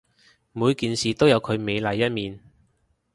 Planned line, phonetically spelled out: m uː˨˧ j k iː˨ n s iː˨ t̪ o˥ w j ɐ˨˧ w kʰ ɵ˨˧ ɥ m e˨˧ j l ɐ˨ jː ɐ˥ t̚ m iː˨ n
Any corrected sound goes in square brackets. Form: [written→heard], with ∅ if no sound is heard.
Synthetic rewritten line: m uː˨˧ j k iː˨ n s iː˨ t̪ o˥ w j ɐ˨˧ w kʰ ɵ˨˧ ɥ m e˨˧ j l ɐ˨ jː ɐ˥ t̚ m iː˨ n